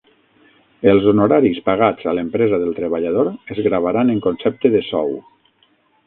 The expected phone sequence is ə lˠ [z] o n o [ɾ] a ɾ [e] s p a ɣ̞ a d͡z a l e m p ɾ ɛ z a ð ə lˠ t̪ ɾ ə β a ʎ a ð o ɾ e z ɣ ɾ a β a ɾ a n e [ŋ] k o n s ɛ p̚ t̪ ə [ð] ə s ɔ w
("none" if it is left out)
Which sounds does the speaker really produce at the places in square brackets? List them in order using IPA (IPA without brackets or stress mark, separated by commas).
z, ɾ, i, ŋ, ð